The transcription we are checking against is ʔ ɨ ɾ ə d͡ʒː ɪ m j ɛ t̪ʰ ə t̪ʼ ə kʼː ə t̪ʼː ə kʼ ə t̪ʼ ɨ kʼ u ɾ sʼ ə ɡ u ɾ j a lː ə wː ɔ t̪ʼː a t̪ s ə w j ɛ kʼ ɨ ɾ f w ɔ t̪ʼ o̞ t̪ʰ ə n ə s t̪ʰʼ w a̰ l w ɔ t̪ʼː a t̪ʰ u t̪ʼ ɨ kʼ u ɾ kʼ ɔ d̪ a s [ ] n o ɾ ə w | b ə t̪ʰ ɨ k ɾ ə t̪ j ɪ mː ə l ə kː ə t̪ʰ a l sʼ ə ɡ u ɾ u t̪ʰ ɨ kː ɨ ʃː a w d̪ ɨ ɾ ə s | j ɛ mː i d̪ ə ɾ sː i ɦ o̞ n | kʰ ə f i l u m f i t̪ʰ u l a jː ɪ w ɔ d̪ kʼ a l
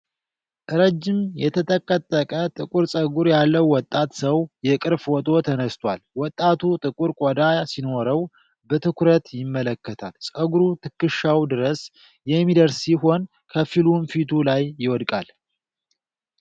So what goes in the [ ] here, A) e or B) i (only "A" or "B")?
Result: B